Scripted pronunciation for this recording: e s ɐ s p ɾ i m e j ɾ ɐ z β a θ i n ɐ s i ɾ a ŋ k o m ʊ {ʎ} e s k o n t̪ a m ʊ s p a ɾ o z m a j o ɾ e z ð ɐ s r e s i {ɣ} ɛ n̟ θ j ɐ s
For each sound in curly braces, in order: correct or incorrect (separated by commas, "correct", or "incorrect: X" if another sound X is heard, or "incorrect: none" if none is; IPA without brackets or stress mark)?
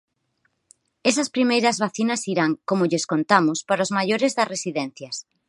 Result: correct, incorrect: ð